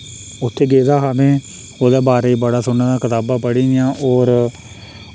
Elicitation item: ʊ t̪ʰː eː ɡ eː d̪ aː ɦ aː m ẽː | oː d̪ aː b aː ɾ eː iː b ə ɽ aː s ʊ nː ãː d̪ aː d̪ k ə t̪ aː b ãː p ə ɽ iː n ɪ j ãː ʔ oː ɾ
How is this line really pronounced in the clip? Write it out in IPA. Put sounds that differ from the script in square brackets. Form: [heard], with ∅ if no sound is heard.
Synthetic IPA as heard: ʊ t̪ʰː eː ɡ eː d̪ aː ɦ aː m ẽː | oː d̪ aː b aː ɾ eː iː b ə ɽ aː s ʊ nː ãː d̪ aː [∅] k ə t̪ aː b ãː p ə ɽ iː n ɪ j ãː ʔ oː ɾ